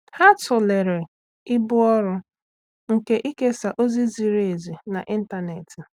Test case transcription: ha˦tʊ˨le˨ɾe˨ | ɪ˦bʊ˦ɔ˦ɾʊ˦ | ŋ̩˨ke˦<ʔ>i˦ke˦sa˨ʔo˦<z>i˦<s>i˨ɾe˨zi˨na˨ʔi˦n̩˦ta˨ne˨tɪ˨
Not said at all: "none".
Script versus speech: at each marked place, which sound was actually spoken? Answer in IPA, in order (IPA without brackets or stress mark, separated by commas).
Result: ʔ, z, z